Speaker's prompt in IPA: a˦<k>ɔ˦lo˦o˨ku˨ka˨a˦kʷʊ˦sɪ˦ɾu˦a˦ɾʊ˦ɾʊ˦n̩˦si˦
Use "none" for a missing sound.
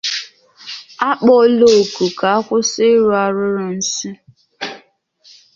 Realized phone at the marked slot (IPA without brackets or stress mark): k͡p